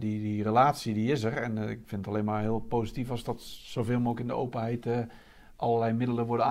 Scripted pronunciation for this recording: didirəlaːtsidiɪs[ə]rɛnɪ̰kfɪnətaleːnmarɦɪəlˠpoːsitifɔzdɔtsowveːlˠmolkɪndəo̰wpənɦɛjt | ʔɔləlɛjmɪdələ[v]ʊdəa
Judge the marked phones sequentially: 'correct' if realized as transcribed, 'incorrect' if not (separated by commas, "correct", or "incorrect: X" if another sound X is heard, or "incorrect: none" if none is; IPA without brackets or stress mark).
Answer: correct, incorrect: ʋ